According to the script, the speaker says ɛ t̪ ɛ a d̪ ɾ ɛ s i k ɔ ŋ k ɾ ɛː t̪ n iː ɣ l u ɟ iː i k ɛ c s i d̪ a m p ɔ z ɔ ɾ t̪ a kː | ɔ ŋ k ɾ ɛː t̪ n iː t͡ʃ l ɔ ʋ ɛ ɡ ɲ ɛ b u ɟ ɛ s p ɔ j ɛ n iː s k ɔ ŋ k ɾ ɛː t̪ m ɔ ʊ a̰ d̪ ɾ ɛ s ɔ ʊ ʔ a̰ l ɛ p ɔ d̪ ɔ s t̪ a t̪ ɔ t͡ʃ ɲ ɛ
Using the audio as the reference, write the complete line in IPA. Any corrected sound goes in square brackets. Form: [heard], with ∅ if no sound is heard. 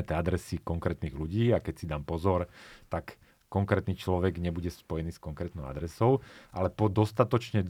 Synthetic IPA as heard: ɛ t̪ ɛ a d̪ ɾ ɛ s i k ɔ ŋ k ɾ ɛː t̪ n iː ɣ l u ɟ iː [a] k ɛ c s i d̪ a m p ɔ z ɔ ɾ t̪ a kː | ɔ ŋ k ɾ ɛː t̪ n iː t͡ʃ l ɔ ʋ ɛ ɡ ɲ ɛ b u ɟ ɛ s p ɔ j ɛ n iː s k ɔ ŋ k ɾ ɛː t̪ [n] ɔ ʊ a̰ d̪ ɾ ɛ s ɔ ʊ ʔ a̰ l ɛ p ɔ d̪ ɔ s t̪ a t̪ ɔ t͡ʃ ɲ ɛ